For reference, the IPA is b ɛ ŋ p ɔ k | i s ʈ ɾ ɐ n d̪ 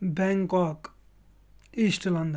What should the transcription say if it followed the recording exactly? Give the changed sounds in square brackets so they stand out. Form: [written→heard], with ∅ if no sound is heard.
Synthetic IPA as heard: b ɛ ŋ [p→k] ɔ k | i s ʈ [ɾ→l] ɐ n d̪